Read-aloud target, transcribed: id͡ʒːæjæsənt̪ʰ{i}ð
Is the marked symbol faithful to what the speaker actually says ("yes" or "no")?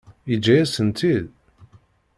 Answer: yes